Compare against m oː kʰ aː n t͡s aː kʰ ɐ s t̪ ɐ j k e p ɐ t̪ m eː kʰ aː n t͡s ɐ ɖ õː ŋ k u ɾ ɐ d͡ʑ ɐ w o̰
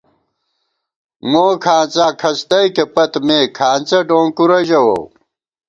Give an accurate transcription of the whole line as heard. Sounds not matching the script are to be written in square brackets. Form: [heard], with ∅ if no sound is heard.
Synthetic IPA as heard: m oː kʰ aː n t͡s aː kʰ ɐ s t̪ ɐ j k e p ɐ t̪ m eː kʰ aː n t͡s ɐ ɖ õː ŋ k u ɾ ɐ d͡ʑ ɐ w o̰